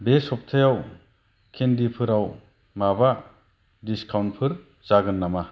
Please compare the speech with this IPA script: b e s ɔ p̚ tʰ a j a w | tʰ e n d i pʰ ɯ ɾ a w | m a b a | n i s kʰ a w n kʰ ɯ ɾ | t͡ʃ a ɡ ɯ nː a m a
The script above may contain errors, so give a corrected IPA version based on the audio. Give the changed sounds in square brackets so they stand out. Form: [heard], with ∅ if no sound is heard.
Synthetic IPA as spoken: b e s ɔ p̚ tʰ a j a w | [kʰ] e n d i pʰ ɯ ɾ a w | m a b a | [d] i s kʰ a w n [pʰ] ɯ ɾ | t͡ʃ a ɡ ɯ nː a m a